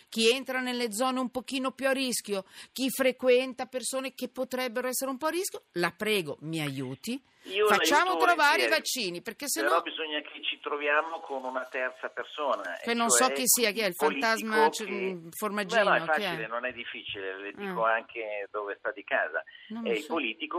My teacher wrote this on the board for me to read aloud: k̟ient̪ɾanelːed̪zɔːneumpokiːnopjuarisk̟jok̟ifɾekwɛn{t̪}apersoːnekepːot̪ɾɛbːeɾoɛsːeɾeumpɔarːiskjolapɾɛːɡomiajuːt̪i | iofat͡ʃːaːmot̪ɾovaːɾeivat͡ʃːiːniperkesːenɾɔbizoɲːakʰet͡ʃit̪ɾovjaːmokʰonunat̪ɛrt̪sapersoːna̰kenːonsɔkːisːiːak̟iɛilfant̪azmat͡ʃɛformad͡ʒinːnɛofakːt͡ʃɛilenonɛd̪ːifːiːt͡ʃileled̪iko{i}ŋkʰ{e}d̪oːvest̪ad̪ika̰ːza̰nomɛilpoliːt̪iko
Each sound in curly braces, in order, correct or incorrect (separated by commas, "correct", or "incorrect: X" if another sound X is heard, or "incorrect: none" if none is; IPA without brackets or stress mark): correct, incorrect: a, correct